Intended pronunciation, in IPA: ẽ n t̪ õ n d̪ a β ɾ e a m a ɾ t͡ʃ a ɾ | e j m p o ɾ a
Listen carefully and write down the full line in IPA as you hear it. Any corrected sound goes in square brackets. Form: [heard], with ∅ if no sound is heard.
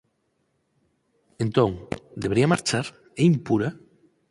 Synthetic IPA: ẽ n t̪ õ [ŋ] d̪ [e] β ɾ [i] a m a ɾ t͡ʃ a ɾ | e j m p [u] ɾ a